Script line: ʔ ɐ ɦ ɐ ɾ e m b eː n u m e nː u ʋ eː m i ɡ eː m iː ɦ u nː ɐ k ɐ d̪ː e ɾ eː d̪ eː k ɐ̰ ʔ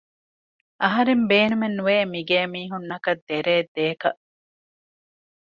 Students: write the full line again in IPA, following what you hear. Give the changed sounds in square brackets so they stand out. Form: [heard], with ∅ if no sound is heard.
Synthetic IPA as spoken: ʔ ɐ ɦ ɐ ɾ e m b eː n u m e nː u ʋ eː m i ɡ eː m iː ɦ u nː ɐ k ɐ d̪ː e ɾ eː d̪ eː k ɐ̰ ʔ